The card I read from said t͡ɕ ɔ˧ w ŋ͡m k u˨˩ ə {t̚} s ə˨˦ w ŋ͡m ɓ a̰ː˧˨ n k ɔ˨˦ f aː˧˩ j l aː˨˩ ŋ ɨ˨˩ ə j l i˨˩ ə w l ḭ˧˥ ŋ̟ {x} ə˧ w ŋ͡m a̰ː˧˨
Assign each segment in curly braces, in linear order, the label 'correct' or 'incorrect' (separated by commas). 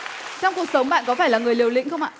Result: incorrect, correct